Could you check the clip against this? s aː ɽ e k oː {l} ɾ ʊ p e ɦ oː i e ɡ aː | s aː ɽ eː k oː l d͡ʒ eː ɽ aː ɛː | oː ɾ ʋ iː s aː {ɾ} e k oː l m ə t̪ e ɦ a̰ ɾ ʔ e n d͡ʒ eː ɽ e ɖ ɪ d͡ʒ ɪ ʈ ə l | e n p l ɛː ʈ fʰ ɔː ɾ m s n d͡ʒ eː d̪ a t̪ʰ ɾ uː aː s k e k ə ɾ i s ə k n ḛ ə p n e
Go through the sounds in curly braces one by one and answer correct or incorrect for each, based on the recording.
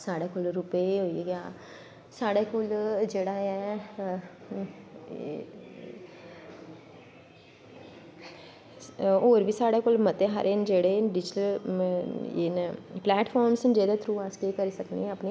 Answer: correct, incorrect

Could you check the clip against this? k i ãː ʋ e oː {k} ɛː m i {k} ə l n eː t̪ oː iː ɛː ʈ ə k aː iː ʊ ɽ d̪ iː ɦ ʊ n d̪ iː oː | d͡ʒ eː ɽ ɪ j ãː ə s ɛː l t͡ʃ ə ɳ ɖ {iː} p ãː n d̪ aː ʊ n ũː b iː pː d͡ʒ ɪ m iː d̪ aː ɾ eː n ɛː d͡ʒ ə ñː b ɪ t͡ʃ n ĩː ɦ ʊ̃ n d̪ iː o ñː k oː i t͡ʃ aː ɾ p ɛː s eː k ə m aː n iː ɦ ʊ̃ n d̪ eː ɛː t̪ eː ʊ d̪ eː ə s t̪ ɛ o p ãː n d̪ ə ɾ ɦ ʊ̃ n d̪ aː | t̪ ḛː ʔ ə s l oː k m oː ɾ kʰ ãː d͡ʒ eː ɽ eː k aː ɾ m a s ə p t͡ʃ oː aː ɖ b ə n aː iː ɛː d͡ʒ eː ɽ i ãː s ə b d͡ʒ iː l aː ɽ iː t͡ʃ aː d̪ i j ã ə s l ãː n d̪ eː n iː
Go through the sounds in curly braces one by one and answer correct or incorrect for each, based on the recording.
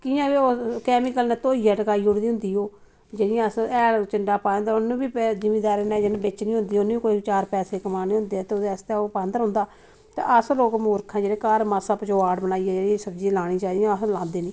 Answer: correct, correct, incorrect

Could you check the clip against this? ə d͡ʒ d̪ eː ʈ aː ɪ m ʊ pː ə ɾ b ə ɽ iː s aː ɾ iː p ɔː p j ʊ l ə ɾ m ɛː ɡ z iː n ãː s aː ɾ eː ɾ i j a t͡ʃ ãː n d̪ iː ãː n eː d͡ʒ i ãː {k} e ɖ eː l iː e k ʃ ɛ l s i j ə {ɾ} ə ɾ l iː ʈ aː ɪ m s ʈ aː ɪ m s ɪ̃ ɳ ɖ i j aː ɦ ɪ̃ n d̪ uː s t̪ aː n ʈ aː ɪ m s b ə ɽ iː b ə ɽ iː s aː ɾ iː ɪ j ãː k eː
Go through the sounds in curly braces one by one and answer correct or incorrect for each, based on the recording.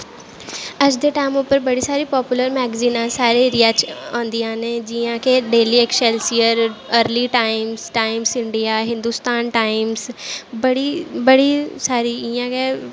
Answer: correct, correct

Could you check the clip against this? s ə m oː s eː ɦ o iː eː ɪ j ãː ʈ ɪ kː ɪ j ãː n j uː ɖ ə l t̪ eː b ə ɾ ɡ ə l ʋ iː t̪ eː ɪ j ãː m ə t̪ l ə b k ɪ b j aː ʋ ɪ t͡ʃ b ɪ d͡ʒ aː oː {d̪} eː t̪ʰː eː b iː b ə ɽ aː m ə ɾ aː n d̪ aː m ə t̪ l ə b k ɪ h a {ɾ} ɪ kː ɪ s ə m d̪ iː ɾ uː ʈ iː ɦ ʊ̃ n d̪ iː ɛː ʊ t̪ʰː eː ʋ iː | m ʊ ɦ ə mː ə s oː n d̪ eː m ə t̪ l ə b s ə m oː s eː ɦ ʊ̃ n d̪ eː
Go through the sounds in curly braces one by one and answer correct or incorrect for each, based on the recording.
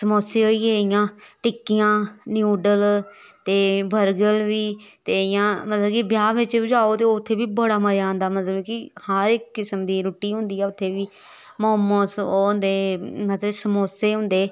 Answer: incorrect, correct

